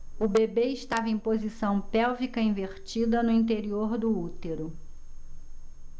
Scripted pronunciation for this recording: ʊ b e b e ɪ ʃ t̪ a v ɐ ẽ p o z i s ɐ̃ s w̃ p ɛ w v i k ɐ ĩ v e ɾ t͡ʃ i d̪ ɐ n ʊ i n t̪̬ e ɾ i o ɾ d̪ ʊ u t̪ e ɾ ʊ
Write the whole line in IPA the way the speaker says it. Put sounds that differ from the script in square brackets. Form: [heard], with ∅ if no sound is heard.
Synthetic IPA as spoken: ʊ b e b e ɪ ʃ t̪ a v ɐ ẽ p o z i s ɐ̃ [∅] w̃ p ɛ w v i k ɐ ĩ v e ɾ t͡ʃ i d̪ ɐ n ʊ [ĩ] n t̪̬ e ɾ i o ɾ d̪ ʊ u t̪ e ɾ ʊ